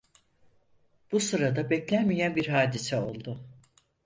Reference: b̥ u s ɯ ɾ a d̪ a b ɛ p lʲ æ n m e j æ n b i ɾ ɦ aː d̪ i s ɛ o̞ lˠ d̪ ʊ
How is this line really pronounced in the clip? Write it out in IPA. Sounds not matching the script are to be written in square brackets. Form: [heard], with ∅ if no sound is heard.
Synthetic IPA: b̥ u s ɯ ɾ a d̪ a b ɛ [c] lʲ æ n m [i] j æ n b i ɾ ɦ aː d̪ i s ɛ o̞ lˠ d̪ ʊ